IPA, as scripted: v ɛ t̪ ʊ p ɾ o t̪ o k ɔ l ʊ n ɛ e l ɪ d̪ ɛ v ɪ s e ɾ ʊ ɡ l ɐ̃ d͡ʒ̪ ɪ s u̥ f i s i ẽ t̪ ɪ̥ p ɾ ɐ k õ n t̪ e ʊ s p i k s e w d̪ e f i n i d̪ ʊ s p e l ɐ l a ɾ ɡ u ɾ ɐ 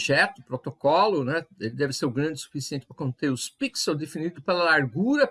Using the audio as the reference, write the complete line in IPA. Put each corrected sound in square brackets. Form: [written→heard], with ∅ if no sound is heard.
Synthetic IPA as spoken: [v→ʒ] ɛ t̪ ʊ p ɾ o t̪ o k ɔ l ʊ n ɛ e l ɪ d̪ ɛ v ɪ s e ɾ ʊ ɡ [l→ɾ] ɐ̃ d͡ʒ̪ ɪ s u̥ f i s i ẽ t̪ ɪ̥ p ɾ ɐ k õ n t̪ e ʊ s p i k s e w d̪ e f i n i d̪ ʊ [s→∅] p e l ɐ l a ɾ ɡ u ɾ ɐ